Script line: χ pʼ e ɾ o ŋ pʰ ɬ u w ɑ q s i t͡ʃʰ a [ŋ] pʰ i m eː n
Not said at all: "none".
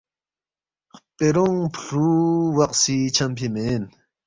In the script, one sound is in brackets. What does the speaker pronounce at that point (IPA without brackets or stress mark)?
m